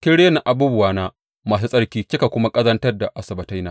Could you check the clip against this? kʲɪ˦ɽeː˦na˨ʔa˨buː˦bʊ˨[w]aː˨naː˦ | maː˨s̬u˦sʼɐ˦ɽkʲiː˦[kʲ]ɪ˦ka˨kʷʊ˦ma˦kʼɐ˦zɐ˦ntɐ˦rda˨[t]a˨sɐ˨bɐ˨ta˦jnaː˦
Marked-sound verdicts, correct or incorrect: correct, correct, incorrect: ʔ

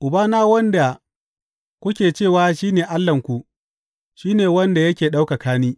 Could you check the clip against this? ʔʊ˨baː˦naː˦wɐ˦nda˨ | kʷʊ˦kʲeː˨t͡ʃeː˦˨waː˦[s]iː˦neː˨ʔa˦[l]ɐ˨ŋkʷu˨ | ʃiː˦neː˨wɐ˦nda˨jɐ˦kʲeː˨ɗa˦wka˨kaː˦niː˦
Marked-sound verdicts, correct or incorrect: incorrect: ʃ, incorrect: lː

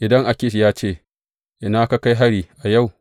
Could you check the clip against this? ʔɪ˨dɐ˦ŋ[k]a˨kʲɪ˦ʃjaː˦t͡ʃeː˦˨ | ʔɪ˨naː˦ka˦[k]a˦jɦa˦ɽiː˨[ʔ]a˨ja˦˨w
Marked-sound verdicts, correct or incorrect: incorrect: ʔ, correct, correct

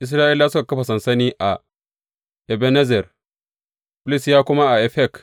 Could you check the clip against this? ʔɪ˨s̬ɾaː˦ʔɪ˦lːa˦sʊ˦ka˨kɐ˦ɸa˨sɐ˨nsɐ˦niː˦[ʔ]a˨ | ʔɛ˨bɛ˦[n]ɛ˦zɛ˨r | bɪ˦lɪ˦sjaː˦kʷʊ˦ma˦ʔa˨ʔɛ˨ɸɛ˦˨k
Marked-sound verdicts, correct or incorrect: correct, correct

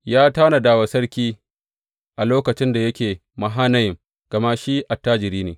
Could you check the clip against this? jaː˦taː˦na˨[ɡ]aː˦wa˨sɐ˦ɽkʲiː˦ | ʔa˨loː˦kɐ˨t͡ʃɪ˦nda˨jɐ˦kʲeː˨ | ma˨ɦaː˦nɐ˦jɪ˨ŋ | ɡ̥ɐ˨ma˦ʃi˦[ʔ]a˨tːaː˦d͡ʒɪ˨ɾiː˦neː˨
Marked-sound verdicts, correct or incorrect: incorrect: d, correct

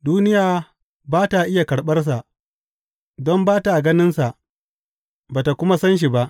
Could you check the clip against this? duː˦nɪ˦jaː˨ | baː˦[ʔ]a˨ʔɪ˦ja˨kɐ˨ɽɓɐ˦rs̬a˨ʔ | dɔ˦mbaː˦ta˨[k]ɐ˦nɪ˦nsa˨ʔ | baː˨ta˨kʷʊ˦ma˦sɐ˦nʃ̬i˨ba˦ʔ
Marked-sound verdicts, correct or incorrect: incorrect: t, incorrect: ɡ

